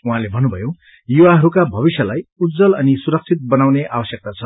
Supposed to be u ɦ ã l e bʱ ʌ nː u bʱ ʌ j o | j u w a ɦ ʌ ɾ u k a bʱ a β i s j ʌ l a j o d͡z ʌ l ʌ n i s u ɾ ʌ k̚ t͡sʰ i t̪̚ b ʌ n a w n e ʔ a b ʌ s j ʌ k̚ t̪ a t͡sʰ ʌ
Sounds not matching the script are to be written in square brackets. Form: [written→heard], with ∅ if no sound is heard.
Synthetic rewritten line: u ɦ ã l e bʱ ʌ nː u bʱ ʌ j o | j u w a ɦ ʌ ɾ u k a bʱ [a→ʌ] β i s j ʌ l a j [o→u] d͡z ʌ l ʌ n i s u ɾ ʌ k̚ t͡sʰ i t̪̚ b ʌ n a w n e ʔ a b ʌ s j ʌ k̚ t̪ a t͡sʰ ʌ